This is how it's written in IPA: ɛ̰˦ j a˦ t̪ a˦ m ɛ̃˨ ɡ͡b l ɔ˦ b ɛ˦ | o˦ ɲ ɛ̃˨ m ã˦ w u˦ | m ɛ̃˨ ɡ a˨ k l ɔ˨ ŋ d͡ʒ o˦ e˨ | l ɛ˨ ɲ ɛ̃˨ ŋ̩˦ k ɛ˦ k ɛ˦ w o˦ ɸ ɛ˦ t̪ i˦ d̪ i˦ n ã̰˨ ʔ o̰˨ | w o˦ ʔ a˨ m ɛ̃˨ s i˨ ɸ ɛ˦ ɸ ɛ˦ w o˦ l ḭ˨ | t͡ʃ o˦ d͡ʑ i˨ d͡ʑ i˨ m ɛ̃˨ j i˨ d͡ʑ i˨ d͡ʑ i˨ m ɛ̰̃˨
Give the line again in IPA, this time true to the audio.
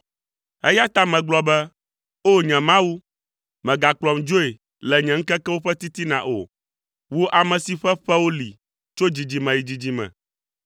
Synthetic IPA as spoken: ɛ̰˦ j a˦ t̪ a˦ m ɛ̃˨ ɡ͡b l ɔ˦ b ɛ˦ | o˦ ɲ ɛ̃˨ m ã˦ w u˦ | m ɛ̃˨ ɡ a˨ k l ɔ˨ m d͡ʒ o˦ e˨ | l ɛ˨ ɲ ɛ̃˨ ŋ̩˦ k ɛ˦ k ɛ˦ w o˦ ɸ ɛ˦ t̪ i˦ t̪ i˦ n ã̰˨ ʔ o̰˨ | w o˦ ʔ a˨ m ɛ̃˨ s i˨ ɸ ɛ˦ ɸ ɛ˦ w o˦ l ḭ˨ | t͡ʃ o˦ d͡ʑ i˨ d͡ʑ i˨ m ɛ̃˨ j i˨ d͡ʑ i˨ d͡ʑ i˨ m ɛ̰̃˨

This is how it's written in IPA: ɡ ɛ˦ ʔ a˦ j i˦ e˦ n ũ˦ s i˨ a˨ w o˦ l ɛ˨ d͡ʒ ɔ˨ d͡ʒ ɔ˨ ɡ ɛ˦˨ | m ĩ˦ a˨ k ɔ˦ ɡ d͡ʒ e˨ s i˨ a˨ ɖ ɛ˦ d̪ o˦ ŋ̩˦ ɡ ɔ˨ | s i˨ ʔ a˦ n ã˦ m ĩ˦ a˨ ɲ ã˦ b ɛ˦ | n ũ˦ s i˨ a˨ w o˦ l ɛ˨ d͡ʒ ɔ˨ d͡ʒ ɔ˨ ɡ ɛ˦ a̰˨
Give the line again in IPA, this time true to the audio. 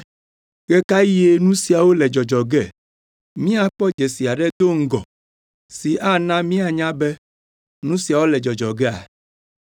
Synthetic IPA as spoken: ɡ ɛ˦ k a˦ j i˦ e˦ n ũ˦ s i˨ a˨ w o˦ l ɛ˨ d͡ʒ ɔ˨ d͡ʒ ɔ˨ ɡ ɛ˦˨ | m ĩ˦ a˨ k͡p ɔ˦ d͡ʒ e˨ s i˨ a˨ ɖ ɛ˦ d̪ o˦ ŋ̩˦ ɡ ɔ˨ | s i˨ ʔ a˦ n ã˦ m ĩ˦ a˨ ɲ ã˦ b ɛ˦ | n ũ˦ s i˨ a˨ w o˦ l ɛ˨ d͡ʒ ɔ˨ d͡ʒ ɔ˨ ɡ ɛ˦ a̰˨

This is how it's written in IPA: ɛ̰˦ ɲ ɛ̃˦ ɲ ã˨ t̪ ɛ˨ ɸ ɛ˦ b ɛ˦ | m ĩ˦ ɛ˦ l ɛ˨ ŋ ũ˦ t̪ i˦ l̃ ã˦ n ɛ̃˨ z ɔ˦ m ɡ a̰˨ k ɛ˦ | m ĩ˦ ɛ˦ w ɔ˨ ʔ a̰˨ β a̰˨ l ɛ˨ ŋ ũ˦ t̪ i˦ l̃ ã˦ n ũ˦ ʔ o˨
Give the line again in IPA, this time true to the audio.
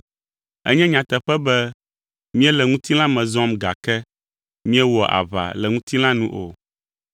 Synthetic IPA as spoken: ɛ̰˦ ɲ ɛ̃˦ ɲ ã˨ t̪ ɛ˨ ɸ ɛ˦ b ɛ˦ | m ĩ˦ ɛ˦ l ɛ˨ ŋ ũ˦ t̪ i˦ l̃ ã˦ m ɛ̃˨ z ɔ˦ m ɡ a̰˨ k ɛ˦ | m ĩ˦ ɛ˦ w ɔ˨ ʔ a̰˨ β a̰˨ l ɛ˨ ŋ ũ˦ t̪ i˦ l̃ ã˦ n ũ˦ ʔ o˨

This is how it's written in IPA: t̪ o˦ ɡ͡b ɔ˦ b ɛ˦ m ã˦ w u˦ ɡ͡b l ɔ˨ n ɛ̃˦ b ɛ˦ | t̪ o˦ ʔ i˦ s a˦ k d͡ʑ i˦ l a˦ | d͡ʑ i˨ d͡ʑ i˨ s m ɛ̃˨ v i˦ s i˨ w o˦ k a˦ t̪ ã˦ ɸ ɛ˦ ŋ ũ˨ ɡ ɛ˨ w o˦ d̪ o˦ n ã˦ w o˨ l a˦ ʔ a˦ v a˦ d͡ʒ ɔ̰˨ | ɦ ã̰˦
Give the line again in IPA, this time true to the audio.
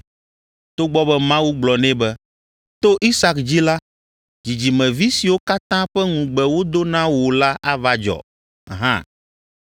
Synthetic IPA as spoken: t̪ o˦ ɡ͡b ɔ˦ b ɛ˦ m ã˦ w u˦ ɡ͡b l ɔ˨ n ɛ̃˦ b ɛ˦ | t̪ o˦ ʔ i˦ s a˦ k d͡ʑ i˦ l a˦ | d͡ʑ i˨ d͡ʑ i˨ m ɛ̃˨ v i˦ s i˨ w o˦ k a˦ t̪ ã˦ ɸ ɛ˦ ŋ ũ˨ ɡ͡b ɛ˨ w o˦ d̪ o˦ n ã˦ w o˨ l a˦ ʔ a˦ v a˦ d͡ʒ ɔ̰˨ | ɦ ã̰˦

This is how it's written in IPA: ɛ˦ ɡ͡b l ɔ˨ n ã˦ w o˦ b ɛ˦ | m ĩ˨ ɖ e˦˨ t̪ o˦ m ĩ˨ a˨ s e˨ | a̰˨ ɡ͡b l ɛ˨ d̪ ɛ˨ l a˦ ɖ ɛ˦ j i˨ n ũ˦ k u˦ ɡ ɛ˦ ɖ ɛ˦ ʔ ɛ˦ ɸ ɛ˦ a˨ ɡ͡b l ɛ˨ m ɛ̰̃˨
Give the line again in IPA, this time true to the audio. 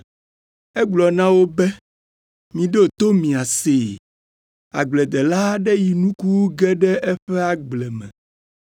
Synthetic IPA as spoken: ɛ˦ ɡ͡b l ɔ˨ n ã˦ w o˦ b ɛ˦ | m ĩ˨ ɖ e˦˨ t̪ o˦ m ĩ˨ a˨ s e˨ | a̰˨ ɡ͡b l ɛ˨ d̪ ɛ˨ l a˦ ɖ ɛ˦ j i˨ n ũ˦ k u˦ ɡ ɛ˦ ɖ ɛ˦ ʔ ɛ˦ ɸ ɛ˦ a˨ ɡ͡b l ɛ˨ m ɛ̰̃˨

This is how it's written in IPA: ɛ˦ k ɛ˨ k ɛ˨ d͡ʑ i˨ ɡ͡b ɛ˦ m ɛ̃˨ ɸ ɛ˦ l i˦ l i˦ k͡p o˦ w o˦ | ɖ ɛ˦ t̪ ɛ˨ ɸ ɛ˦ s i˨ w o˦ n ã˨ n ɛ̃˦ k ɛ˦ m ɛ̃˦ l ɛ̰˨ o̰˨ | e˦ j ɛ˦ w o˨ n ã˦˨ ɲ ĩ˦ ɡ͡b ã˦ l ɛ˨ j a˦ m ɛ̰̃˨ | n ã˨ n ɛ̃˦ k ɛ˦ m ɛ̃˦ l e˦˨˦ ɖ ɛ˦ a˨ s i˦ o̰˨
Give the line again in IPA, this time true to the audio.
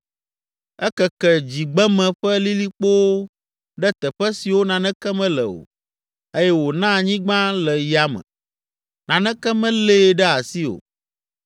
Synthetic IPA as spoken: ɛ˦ k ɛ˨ k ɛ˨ d͡ʑ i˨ ɡ͡b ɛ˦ m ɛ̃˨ ɸ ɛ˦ l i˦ l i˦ k͡p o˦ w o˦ | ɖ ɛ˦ t̪ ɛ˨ ɸ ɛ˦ s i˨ w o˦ n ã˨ n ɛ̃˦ k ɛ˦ m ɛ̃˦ l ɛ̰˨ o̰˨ | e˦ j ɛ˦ w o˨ n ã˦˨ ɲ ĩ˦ ɡ͡b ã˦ l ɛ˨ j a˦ m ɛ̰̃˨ | n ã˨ n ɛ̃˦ k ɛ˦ m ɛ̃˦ l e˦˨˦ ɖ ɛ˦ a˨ s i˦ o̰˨

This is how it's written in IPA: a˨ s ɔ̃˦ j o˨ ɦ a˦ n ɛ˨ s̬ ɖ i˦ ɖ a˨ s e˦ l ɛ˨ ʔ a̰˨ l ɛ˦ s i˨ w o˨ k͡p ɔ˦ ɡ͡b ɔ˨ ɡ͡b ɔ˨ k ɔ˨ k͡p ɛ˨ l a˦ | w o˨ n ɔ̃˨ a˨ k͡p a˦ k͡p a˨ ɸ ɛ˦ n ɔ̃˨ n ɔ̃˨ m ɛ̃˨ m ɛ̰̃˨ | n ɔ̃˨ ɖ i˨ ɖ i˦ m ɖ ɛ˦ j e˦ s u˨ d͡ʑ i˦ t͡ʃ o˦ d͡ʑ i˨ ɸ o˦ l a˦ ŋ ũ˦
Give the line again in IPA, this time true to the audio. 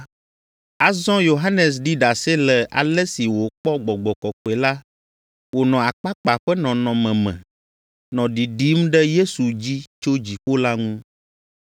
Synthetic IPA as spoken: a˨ z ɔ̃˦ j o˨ ɦ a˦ n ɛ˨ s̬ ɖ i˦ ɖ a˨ s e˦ l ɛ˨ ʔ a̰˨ l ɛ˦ s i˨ w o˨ k͡p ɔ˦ ɡ͡b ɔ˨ ɡ͡b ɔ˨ k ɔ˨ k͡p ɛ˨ l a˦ | w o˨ n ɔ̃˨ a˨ k͡p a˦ k͡p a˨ ɸ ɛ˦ n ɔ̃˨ n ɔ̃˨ m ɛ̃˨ m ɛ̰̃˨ | n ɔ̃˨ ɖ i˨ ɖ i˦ m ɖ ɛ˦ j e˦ s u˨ d͡ʑ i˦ t͡ʃ o˦ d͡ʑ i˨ ɸ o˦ l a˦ ŋ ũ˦

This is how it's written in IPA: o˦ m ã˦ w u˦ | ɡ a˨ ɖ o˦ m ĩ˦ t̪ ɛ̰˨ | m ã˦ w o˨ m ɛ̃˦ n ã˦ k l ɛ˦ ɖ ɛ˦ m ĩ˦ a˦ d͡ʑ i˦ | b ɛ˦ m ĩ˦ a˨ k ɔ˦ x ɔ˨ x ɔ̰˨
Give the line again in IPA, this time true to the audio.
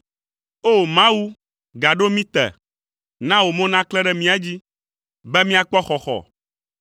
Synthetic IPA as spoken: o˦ m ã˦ w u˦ | ɡ a˨ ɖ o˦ m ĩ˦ t̪ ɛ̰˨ | n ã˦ w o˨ m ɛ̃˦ n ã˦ k l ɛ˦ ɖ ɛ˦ m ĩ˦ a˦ d͡ʑ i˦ | b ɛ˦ m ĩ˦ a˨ k͡p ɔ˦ x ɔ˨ x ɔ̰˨

